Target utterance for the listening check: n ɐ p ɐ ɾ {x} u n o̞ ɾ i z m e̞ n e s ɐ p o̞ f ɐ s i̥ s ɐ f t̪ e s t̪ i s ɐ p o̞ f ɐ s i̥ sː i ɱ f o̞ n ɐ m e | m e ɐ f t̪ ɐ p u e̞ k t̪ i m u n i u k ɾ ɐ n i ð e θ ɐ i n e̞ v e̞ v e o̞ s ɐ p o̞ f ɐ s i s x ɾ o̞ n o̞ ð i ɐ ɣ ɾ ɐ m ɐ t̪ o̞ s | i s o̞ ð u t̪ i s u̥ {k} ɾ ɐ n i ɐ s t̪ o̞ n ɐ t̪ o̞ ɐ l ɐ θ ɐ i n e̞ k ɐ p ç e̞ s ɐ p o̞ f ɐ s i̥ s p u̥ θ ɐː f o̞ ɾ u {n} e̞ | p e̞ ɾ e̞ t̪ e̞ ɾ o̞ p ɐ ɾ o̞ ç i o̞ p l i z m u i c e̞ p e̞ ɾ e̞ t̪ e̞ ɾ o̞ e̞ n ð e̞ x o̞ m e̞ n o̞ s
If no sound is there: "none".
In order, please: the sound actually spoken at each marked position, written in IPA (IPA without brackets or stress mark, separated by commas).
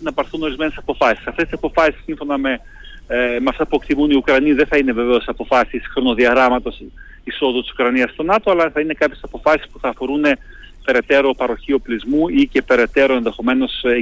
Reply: θ, k, n